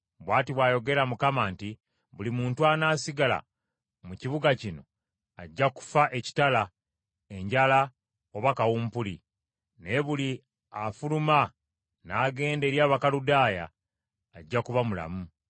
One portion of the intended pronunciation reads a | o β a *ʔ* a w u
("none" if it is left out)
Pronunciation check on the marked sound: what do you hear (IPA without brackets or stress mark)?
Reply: k